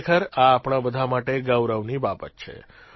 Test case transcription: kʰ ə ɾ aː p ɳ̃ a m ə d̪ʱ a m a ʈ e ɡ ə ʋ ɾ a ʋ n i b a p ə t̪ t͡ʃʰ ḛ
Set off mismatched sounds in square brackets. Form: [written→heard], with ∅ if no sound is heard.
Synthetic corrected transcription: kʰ ə ɾ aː p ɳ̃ a [m→b] ə d̪ʱ a m a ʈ e ɡ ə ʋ ɾ [a→ə] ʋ n i b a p ə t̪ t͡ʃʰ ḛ